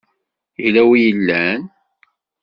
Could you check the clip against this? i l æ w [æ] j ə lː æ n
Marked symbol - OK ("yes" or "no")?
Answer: no